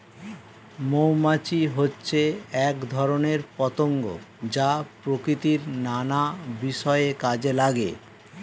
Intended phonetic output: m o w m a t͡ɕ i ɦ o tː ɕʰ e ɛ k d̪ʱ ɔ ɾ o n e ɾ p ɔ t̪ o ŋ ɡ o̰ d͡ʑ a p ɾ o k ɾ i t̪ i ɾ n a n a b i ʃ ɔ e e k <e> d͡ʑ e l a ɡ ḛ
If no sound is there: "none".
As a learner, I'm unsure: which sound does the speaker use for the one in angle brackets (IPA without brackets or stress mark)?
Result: a